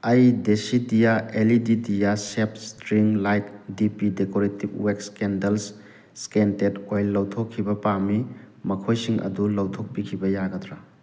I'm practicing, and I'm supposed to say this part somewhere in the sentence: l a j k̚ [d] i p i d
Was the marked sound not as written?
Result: no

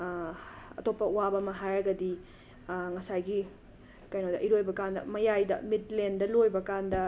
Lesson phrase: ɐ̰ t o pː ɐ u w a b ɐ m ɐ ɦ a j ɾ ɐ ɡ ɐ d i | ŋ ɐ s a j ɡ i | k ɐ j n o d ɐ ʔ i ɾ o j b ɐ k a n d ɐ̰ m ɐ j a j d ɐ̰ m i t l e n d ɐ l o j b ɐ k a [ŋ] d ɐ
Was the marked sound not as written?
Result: yes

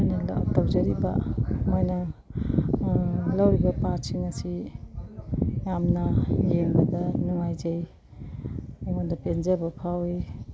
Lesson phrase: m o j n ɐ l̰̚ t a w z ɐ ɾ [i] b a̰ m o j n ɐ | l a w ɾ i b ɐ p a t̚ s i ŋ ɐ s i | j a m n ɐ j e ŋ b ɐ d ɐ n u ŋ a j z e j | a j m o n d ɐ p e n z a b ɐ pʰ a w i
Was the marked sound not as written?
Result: no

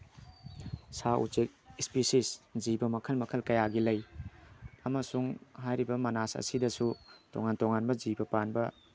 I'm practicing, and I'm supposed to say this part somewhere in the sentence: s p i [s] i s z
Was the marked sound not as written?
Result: no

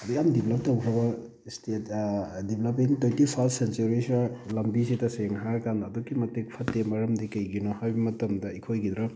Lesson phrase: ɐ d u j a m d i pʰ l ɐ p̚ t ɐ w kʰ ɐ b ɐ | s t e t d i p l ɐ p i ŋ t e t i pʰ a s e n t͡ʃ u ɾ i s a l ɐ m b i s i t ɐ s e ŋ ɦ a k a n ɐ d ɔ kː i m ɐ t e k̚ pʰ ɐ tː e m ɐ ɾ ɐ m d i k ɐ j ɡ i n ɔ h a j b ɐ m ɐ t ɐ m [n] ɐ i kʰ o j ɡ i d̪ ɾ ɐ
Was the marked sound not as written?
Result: yes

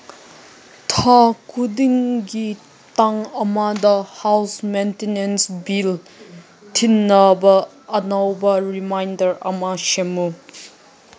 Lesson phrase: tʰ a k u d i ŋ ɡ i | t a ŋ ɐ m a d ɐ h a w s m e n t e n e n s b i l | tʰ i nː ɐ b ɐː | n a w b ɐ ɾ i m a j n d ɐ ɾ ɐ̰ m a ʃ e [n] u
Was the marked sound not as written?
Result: yes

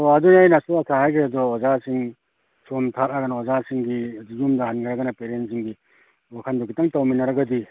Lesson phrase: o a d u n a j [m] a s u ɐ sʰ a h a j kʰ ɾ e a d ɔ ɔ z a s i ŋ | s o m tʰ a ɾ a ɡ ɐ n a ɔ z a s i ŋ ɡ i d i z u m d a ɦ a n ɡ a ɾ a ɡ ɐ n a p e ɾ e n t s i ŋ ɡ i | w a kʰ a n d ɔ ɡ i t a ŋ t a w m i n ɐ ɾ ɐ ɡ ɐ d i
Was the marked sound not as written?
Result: yes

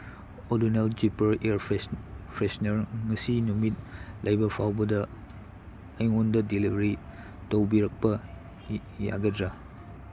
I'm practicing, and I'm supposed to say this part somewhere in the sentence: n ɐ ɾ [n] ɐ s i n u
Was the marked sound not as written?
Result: yes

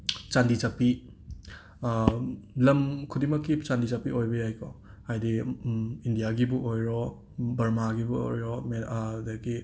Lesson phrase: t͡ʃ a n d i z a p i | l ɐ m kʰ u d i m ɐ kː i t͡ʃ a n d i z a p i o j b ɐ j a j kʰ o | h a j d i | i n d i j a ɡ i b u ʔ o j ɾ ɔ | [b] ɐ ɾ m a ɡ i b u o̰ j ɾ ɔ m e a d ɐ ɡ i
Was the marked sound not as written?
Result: no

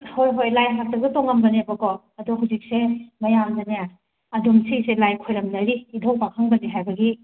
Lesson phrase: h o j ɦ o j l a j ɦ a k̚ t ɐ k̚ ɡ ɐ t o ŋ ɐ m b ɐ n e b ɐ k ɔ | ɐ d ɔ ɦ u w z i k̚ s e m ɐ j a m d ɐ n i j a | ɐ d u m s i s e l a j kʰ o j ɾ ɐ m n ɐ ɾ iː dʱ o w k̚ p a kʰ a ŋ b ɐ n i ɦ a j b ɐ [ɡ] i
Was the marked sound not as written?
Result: no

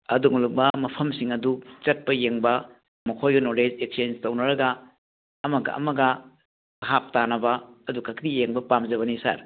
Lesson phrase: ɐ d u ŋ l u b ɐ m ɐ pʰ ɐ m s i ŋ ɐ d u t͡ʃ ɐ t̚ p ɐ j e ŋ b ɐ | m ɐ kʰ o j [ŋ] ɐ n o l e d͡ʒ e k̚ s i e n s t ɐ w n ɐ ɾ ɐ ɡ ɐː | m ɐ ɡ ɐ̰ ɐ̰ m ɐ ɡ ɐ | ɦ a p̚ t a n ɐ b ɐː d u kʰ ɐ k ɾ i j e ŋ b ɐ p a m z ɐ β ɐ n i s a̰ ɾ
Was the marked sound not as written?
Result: yes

